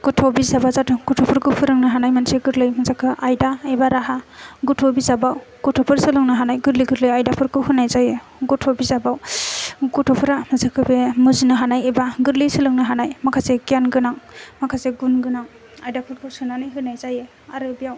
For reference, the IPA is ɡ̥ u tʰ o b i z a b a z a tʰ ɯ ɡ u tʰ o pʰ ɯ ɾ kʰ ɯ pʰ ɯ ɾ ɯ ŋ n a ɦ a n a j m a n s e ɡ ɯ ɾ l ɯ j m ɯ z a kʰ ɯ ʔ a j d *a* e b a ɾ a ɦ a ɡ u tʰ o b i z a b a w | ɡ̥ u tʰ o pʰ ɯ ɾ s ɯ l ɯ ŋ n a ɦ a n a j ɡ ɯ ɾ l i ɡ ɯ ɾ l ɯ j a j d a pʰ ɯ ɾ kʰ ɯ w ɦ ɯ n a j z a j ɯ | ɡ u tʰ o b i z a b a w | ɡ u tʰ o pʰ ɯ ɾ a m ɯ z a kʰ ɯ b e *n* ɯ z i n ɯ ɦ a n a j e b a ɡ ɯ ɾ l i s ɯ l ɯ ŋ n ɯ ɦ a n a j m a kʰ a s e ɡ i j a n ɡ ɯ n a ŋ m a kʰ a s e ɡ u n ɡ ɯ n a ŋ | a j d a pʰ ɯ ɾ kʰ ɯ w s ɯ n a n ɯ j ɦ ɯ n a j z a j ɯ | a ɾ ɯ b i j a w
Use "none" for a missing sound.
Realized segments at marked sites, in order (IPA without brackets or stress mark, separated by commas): a, m